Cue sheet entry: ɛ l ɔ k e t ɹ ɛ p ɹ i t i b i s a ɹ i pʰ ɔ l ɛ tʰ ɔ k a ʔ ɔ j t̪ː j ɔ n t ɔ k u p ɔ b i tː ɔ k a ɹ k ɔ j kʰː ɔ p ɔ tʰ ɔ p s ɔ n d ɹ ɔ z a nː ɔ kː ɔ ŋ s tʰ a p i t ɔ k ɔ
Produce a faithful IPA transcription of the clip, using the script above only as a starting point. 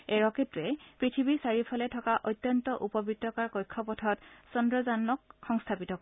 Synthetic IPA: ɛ ɹ ɔ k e t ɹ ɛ p ɹ i tʰ i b i s a ɹ i pʰ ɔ l ɛ tʰ ɔ k a ʔ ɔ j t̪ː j ɔ n t ɔ ʔ u p ɔ b i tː ɔ k a ɹ k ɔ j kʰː ɔ p ɔ tʰ ɔ t s ɔ n d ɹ ɔ z a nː ɔ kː ɔ ŋ s tʰ a p i t ɔ k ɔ